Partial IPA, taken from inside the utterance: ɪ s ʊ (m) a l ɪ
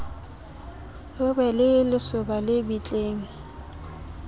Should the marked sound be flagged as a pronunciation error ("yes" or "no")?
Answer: yes